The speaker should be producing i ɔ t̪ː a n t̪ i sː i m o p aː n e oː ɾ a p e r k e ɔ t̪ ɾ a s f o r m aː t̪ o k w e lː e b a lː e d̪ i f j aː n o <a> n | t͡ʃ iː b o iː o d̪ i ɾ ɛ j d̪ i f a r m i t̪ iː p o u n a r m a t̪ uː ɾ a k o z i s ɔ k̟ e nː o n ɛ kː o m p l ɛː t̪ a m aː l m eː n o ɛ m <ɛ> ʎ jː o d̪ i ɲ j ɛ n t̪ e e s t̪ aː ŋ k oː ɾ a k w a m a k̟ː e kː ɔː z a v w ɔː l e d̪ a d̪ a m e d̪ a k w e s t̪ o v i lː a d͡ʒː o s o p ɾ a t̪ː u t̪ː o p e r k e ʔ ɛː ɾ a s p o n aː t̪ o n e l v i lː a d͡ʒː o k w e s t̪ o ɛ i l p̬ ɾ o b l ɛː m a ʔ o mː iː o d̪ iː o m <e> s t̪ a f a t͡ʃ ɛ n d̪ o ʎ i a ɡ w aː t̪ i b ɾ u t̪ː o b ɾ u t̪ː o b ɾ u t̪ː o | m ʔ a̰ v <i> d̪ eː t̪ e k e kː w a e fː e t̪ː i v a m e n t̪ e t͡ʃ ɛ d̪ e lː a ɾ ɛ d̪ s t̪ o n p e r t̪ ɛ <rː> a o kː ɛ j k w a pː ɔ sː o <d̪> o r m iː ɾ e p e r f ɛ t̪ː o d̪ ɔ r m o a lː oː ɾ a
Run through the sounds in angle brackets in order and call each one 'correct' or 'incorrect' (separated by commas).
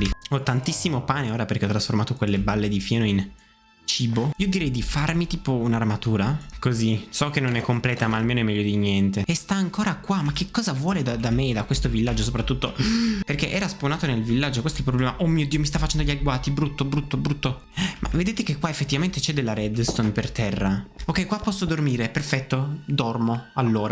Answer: incorrect, correct, incorrect, incorrect, correct, correct